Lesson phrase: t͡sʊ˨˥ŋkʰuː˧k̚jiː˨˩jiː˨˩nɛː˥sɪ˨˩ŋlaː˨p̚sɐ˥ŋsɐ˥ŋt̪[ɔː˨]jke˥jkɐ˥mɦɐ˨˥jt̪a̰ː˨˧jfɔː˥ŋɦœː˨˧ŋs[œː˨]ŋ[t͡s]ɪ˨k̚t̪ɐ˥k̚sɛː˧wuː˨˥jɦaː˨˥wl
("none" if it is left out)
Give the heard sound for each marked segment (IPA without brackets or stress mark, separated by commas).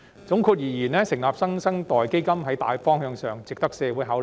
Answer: ɔː˨, œː˨, t͡s